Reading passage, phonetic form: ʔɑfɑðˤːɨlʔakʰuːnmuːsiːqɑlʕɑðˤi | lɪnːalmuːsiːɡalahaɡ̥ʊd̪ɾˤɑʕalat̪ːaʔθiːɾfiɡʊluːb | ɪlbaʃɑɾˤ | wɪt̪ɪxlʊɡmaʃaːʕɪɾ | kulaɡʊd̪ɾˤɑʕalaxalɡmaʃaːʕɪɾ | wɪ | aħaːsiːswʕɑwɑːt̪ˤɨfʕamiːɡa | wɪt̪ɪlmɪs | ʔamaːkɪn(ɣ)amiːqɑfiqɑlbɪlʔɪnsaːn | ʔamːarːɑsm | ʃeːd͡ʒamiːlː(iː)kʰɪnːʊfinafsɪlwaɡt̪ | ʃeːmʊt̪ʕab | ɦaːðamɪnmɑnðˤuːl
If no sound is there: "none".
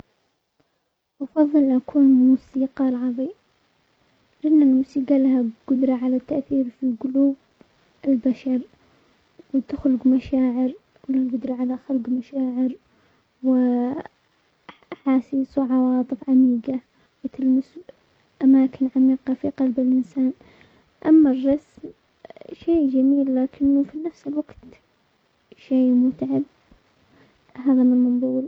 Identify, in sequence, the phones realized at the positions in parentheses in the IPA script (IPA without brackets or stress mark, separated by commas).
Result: ʕ, aː